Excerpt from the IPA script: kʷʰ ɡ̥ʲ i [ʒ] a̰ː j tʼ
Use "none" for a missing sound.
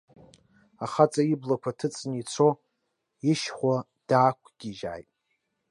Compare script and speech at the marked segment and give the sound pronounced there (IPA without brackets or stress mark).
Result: ʒ